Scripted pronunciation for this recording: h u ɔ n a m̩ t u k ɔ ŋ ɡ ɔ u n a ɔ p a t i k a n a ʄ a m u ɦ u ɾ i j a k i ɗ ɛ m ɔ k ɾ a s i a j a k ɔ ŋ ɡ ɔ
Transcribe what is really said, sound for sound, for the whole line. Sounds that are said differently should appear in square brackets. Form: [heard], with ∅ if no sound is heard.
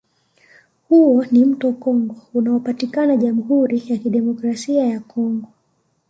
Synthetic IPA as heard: h u ɔ n [i] m̩ t [ɔ] k ɔ ŋ ɡ ɔ u n a ɔ p a t i k a n a ʄ a m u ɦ u ɾ i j a k i ɗ ɛ m ɔ k ɾ a s i a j a k ɔ ŋ ɡ ɔ